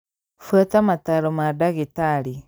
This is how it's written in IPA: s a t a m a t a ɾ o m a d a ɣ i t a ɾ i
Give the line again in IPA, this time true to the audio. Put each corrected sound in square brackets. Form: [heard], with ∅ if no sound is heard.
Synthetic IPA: [f] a t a m a t a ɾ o m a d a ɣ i t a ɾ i